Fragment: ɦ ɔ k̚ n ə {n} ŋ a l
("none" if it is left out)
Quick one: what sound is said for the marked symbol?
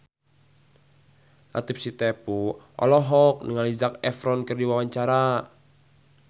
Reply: none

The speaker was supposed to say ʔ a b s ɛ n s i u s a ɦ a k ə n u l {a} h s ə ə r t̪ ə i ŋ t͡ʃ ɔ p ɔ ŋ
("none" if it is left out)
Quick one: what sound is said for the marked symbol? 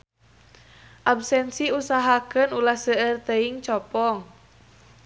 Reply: a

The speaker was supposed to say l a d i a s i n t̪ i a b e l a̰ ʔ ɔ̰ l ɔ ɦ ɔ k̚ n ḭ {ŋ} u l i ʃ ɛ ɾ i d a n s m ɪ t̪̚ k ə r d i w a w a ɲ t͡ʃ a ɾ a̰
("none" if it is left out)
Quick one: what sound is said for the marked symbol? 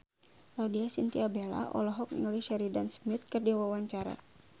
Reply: ŋ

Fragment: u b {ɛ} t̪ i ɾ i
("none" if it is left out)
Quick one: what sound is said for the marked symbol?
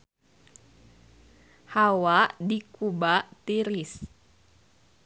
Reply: a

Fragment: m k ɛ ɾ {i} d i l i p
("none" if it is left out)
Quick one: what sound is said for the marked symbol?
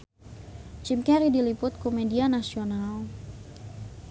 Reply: i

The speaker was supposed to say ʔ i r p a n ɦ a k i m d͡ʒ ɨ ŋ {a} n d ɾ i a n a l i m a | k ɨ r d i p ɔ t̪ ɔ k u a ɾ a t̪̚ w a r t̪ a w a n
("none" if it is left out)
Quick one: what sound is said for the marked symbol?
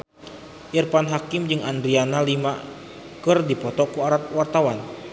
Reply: a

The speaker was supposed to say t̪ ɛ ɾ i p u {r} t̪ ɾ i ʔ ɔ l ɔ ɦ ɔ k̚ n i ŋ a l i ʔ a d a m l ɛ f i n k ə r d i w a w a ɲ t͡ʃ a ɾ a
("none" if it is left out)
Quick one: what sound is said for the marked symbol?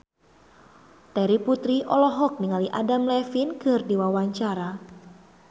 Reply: none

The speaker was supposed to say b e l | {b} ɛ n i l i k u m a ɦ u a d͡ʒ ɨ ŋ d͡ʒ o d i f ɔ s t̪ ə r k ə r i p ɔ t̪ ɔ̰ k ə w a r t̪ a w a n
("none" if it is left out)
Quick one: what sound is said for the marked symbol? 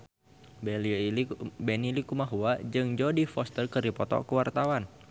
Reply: b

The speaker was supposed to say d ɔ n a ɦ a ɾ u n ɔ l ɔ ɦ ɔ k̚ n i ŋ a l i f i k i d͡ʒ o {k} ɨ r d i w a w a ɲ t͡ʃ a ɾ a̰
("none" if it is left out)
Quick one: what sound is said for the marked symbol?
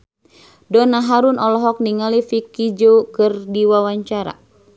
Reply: k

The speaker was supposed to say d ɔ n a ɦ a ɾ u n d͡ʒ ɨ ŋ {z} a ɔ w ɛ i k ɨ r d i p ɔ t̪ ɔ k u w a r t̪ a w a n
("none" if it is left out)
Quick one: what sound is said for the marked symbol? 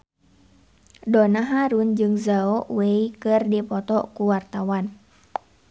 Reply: z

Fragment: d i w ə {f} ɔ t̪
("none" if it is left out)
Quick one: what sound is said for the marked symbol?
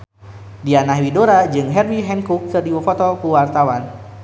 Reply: f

